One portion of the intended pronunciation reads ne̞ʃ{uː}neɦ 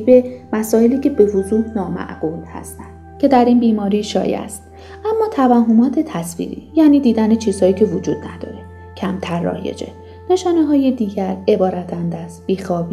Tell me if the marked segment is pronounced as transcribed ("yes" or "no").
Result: no